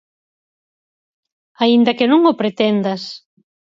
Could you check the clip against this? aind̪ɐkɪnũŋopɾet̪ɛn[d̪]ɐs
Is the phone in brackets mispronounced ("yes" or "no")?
no